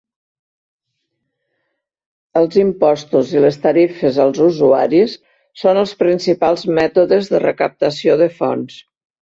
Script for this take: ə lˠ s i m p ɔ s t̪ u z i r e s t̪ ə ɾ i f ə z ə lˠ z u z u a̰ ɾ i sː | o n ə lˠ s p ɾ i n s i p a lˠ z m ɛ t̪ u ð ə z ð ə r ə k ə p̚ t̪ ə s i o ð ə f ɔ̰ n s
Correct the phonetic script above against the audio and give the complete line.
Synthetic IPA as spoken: ə lˠ z i m p ɔ s t̪ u z i l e s t̪ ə ɾ i f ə z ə lˠ z u z u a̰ ɾ i sː | o n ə lˠ s p ɾ i n s i p a lˠ z m ɛ t̪ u ð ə z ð ə r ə k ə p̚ t̪ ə s i o ð ə f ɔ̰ n s